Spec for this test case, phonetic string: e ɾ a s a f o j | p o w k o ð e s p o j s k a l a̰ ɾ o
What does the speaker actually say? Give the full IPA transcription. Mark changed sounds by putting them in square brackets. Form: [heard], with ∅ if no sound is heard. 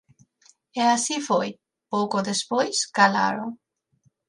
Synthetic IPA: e [∅] a s [i] f o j | p o w k o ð e s p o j s k a l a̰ ɾ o